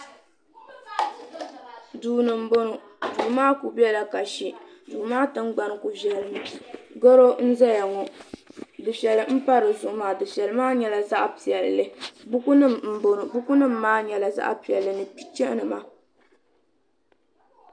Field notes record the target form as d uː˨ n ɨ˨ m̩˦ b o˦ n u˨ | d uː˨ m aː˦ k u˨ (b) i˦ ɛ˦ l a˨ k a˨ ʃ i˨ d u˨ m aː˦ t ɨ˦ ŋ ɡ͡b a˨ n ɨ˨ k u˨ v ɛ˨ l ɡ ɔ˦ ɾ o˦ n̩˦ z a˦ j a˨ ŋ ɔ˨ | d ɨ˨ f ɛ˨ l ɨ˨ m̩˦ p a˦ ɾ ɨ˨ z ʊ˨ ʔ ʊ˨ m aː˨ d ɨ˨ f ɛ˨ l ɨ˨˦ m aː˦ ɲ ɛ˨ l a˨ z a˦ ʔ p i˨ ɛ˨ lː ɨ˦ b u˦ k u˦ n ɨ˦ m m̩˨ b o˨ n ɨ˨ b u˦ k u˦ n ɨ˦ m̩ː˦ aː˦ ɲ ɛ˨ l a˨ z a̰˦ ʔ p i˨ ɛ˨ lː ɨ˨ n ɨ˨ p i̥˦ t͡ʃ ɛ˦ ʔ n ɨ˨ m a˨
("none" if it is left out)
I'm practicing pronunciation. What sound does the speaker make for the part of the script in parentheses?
b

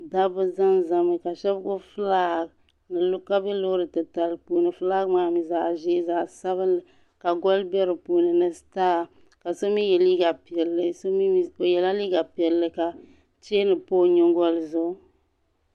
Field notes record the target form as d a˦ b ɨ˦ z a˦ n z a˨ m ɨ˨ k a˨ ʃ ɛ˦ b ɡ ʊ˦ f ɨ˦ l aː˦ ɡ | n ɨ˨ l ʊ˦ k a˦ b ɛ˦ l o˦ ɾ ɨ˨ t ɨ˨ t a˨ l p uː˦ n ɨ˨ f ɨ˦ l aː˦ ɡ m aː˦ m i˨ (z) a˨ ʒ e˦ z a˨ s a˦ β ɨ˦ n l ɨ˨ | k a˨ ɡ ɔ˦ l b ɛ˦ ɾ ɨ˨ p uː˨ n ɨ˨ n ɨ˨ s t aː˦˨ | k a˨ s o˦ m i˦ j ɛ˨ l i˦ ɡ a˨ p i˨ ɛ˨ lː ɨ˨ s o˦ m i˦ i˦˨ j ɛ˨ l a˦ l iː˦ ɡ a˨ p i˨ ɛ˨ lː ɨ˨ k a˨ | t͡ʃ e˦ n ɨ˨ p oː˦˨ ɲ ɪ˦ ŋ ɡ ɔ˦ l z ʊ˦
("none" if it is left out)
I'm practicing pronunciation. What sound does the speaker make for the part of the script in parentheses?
z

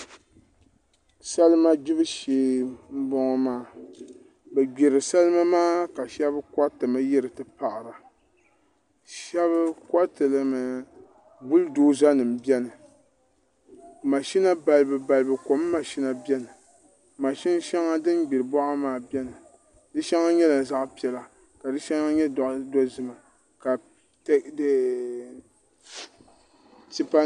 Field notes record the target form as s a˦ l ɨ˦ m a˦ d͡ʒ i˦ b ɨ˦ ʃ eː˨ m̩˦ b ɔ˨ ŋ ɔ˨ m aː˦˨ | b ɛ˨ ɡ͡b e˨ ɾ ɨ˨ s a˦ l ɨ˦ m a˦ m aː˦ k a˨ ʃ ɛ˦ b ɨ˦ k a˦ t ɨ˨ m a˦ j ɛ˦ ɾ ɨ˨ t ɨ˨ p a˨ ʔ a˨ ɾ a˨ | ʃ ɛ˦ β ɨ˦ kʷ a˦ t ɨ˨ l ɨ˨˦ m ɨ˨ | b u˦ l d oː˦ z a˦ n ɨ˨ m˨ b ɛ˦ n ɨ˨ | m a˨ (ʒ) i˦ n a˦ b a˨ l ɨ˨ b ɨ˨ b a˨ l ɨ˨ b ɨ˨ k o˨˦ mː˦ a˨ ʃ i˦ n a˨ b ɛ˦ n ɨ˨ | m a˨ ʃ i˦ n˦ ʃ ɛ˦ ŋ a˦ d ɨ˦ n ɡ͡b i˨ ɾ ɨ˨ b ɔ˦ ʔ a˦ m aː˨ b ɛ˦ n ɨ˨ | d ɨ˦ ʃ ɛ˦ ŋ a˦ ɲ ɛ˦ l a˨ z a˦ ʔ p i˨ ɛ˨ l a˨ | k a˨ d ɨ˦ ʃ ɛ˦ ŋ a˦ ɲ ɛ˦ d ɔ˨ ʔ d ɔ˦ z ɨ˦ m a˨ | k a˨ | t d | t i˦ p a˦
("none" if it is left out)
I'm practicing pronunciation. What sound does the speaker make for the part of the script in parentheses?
ʃ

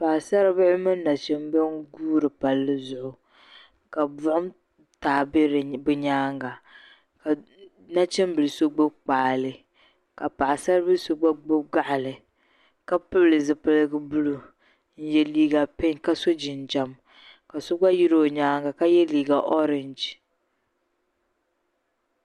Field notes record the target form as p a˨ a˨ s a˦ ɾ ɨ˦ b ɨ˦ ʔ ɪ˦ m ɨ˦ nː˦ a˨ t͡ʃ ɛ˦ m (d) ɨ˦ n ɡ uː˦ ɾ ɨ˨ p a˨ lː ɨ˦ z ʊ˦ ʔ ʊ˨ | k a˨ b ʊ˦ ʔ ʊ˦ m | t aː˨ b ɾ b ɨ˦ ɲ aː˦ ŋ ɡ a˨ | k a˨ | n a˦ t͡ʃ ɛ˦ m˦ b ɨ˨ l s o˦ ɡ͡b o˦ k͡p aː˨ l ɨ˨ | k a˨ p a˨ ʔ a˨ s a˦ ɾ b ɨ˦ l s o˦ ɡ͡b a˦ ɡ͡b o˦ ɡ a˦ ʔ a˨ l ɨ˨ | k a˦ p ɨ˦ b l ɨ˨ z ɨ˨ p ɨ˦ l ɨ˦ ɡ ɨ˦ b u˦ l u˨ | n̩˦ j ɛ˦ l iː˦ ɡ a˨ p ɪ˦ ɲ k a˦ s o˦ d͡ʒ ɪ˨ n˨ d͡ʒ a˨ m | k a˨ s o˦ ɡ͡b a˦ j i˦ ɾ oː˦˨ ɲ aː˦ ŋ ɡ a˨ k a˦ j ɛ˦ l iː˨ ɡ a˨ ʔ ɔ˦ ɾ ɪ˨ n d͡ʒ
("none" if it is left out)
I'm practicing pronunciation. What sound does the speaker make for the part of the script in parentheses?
b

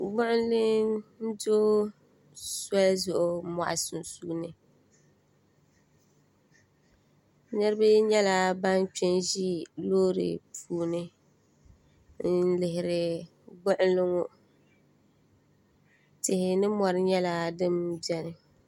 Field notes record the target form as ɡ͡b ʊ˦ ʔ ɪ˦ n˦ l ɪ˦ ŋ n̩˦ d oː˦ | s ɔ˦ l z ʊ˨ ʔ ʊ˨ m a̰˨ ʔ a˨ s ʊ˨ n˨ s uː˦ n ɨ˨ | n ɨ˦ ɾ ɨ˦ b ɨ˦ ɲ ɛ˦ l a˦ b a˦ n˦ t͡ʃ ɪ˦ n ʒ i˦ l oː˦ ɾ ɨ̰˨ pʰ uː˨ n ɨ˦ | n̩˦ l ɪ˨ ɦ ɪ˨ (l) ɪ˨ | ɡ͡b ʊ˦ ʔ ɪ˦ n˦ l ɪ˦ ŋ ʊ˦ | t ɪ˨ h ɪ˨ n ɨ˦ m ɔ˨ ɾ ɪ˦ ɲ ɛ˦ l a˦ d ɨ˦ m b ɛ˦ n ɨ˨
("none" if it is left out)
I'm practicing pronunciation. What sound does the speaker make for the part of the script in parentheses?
ɾ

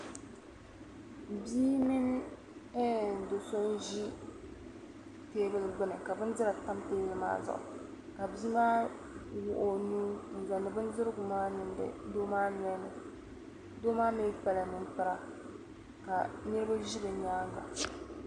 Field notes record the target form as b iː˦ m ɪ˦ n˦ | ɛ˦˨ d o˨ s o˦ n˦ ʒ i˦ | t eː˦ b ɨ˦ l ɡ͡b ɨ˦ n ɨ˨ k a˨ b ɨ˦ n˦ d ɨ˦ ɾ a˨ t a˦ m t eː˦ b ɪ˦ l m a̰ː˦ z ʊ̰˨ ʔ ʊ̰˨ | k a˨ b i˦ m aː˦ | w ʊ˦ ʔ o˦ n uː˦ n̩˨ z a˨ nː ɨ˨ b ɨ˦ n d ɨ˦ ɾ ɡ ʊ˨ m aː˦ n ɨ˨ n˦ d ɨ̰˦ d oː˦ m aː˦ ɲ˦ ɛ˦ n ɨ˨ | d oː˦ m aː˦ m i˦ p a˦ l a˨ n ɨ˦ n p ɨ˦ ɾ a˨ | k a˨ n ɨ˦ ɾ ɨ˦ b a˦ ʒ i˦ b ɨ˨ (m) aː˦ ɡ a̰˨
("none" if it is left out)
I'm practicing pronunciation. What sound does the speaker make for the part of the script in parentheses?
ɲ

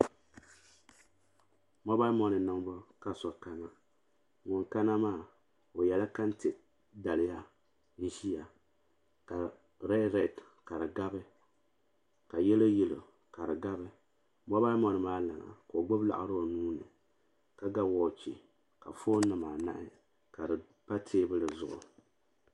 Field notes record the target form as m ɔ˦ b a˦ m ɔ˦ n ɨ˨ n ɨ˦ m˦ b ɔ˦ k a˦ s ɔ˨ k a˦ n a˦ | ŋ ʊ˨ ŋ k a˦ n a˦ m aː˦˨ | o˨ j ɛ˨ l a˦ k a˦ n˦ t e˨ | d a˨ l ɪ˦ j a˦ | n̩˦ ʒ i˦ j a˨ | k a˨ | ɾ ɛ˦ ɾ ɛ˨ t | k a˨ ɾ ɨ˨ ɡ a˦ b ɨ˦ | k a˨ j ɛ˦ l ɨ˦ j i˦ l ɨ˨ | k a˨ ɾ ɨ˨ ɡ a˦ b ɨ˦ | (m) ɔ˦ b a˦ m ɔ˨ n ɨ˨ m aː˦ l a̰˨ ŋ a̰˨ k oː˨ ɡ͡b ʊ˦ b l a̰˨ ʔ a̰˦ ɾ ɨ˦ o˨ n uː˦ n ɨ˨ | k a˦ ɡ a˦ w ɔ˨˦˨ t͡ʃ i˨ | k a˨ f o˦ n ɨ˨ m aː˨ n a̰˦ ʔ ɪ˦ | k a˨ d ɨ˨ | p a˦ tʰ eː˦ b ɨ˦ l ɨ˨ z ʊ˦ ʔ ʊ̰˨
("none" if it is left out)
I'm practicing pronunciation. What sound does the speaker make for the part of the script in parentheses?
m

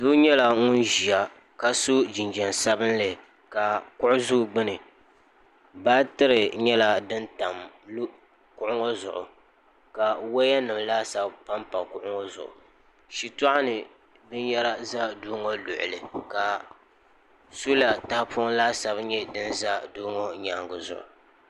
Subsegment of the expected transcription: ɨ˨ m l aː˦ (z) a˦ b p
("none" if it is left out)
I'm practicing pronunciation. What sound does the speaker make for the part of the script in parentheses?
s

